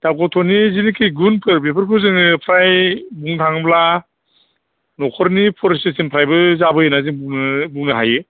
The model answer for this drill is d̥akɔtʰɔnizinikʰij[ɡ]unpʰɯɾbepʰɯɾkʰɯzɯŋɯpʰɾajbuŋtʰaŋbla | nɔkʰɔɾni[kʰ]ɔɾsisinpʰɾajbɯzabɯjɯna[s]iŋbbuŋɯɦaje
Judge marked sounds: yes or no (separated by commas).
yes, no, no